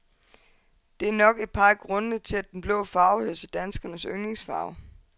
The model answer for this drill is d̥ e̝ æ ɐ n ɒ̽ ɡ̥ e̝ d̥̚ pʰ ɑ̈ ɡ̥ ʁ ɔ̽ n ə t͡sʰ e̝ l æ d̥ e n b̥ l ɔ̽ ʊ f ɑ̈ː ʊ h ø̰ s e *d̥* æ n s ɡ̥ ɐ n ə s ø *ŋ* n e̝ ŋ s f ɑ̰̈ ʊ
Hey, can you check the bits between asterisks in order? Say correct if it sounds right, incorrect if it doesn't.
correct, correct

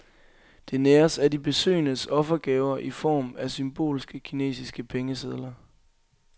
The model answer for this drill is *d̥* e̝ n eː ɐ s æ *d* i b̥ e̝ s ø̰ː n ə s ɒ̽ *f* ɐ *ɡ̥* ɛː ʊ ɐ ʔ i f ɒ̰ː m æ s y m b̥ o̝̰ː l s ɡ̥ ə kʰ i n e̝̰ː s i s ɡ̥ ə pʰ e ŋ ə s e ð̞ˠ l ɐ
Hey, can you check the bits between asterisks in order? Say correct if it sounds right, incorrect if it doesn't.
correct, correct, correct, correct

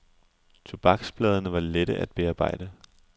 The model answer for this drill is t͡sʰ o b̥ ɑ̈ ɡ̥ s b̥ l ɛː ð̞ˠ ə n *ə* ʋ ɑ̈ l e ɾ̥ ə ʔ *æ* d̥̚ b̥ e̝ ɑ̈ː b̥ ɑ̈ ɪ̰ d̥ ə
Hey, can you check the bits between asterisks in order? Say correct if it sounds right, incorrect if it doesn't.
correct, correct

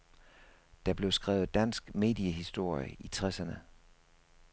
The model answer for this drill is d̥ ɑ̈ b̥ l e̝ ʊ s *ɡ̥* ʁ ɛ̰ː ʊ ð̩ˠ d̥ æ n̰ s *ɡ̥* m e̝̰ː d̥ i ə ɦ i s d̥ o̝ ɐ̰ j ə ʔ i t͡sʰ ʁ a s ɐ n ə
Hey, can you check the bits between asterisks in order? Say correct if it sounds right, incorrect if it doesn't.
correct, correct

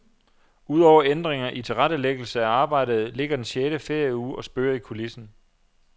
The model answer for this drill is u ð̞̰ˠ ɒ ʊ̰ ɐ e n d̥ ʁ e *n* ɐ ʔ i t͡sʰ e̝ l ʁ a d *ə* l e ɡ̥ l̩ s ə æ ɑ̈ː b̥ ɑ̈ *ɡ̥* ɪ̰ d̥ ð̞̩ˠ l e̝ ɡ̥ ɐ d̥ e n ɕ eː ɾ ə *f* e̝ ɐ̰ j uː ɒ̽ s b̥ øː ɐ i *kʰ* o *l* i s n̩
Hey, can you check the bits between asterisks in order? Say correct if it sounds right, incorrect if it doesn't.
incorrect: ŋ, correct, incorrect: none, correct, correct, correct

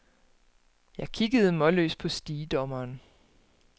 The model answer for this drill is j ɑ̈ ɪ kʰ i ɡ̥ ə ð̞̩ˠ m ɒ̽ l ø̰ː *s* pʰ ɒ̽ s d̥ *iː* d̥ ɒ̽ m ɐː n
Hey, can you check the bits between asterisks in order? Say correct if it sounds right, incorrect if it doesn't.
correct, correct

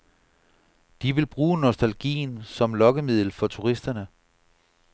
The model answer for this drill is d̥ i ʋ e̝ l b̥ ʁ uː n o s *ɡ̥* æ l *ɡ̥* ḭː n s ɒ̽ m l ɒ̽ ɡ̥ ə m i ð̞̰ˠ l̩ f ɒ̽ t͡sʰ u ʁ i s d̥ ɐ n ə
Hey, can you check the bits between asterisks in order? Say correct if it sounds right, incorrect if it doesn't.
incorrect: d̥, correct

